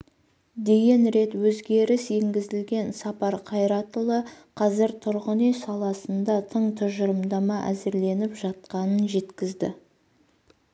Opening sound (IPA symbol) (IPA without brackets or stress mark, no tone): d̪